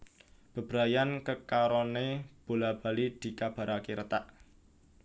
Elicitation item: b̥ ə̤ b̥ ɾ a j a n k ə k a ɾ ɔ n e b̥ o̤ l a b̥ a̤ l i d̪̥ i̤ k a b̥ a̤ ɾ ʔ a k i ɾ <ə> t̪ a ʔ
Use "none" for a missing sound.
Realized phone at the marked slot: ə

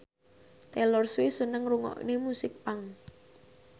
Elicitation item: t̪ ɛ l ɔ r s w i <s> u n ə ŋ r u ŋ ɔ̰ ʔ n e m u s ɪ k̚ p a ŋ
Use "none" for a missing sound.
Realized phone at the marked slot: s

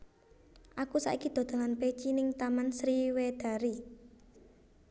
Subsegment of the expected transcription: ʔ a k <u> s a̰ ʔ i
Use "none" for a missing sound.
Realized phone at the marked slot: u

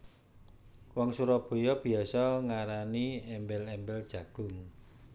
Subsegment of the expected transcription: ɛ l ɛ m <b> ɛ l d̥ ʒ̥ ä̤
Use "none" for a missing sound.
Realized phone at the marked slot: b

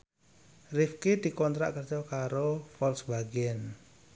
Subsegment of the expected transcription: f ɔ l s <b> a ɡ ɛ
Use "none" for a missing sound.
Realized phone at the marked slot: b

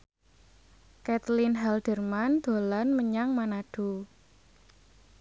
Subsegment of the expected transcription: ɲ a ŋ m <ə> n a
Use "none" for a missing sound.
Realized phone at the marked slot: a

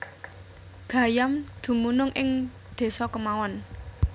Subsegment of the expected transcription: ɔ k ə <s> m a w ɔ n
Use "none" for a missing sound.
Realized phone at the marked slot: none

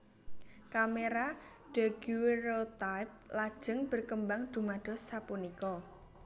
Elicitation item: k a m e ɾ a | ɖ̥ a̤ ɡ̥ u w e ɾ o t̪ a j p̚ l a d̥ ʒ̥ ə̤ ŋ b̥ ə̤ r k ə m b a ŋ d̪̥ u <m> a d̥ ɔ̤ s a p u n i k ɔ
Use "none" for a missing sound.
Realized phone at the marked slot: m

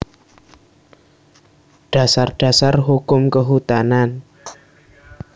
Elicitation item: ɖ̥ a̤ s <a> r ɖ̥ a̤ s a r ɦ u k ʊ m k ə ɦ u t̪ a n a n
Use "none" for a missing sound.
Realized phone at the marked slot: a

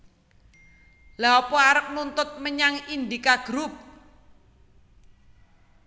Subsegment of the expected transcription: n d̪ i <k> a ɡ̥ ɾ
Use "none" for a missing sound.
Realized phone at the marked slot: k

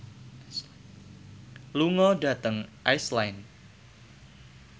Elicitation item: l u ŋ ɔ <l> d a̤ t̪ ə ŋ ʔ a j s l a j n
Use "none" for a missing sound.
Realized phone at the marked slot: none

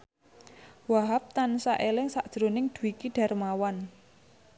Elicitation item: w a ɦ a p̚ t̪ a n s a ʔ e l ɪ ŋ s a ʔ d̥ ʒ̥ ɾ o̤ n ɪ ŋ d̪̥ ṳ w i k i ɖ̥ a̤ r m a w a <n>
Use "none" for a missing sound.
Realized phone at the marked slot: n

